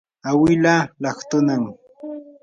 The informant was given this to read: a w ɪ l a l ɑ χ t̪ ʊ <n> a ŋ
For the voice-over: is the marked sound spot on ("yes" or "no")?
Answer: yes